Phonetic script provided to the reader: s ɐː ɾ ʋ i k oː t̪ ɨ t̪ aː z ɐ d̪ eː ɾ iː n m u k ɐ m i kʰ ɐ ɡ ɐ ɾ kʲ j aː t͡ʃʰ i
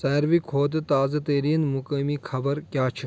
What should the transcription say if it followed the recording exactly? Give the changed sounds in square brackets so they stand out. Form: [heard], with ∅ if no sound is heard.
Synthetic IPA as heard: s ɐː ɾ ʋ i [kʰ] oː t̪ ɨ t̪ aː z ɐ [t̪] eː ɾ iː n m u k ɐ m i kʰ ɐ [b] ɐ ɾ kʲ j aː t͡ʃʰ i